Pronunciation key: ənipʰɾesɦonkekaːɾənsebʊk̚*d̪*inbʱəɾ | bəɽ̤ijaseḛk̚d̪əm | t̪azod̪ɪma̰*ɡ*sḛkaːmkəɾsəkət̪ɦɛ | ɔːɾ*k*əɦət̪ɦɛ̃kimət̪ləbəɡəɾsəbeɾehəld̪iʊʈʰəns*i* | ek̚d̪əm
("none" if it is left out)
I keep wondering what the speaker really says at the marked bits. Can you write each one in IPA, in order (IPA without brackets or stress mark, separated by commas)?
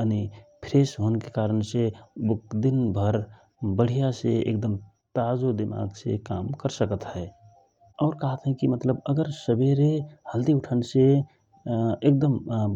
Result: d̪, ɡ, k, e